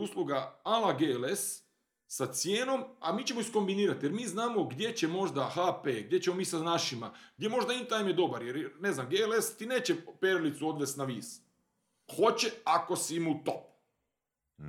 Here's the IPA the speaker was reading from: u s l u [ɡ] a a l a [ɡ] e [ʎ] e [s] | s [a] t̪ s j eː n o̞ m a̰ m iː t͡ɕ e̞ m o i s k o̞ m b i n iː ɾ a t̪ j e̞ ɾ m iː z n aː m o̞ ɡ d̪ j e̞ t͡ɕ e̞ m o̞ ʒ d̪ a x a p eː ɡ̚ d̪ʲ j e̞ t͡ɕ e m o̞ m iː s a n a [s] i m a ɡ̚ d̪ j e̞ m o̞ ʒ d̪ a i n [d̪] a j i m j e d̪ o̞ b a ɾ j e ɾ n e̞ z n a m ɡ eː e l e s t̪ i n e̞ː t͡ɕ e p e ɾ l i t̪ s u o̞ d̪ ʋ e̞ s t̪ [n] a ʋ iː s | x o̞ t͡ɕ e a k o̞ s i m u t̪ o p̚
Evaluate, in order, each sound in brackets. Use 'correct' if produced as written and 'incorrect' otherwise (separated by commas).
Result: correct, correct, incorrect, correct, correct, incorrect, incorrect, correct